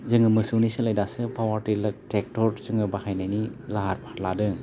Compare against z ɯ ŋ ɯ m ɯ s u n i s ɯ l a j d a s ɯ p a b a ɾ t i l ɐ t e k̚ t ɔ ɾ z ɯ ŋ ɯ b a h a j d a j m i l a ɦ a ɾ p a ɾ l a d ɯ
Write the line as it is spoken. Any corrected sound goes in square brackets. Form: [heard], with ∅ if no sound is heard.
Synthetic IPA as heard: z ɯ ŋ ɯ m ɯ s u n i s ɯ l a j d a s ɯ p a [w] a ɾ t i l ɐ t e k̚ t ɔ ɾ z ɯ ŋ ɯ b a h a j [n] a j [n] i l a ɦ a ɾ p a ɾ l a d ɯ